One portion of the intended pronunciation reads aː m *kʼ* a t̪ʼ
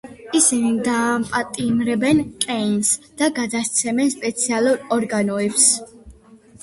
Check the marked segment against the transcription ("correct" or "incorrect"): incorrect